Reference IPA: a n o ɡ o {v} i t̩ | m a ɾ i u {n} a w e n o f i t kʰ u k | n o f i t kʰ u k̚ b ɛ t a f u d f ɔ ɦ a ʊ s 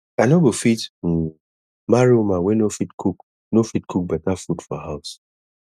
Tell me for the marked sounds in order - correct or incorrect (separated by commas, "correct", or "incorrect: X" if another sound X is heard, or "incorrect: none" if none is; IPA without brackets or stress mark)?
incorrect: f, incorrect: m